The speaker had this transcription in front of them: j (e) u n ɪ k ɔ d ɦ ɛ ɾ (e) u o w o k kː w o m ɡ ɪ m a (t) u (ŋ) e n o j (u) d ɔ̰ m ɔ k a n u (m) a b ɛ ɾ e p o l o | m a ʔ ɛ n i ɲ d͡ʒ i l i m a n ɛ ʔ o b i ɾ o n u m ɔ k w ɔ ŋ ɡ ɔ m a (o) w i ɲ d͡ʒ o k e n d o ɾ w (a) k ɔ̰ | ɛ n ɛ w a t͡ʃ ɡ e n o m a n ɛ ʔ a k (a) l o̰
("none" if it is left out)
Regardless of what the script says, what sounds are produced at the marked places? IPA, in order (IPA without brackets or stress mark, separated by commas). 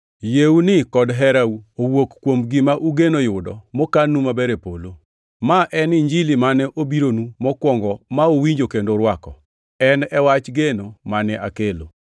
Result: e, a, ʔ, ɡ, ʊ, m, o, a, e